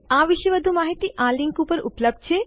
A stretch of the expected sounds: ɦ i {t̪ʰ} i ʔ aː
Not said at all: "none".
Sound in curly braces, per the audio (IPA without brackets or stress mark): t̪